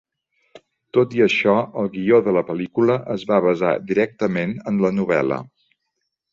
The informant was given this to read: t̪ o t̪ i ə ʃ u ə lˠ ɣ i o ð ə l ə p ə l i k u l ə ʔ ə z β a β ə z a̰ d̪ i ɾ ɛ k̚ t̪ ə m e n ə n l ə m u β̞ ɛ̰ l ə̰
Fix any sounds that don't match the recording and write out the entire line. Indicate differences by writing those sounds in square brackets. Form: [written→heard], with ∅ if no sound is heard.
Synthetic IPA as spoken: t̪ o t̪ i ə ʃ [u→ɔ] ə lˠ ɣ i o ð ə l ə p ə l i k u l ə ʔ ə z β a β ə z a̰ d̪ i ɾ ɛ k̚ t̪ ə m e n ə n l ə [m→n] u β̞ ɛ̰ l ə̰